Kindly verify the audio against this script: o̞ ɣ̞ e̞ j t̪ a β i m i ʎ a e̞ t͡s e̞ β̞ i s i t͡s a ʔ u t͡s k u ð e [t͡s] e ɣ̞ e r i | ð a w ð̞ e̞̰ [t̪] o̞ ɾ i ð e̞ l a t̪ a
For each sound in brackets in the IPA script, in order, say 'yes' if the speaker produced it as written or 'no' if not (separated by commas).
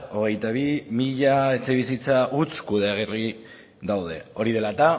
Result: no, no